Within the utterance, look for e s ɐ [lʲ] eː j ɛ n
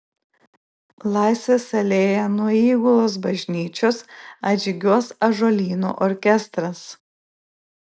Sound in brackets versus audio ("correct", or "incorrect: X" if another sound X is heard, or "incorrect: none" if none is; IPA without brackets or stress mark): correct